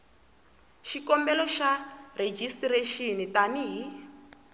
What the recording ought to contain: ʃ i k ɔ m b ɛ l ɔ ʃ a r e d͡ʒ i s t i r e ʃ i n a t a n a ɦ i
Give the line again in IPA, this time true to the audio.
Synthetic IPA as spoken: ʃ i k ɔ m b ɛ l ɔ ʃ a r e d͡ʒ i s t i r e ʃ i n i t a n i ɦ i